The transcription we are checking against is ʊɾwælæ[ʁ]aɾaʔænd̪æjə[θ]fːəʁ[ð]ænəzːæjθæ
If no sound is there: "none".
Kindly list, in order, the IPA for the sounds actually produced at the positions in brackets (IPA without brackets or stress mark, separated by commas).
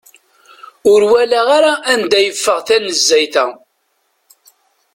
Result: ʁ, none, θ